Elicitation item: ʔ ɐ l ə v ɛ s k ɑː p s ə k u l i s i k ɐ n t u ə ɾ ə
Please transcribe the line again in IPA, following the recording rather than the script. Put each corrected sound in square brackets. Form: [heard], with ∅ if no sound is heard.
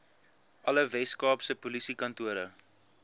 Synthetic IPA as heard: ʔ ɐ l ə v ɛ s k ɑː p s ə [p] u l i s i k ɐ n t u ə ɾ ə